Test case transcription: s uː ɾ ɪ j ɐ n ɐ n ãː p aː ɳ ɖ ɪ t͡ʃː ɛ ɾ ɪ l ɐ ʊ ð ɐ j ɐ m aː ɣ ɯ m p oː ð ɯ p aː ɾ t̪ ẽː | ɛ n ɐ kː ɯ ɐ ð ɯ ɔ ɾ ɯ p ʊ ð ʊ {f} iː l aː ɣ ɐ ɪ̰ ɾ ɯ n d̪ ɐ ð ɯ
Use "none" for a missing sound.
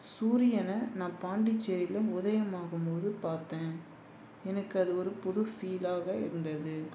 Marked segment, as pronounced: f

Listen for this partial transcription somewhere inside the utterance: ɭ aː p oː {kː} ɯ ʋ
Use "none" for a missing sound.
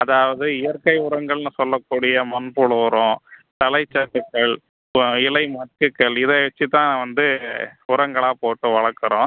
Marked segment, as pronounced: ʈː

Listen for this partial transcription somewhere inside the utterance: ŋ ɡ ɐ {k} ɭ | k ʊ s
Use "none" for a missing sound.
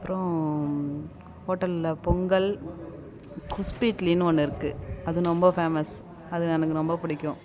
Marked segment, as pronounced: none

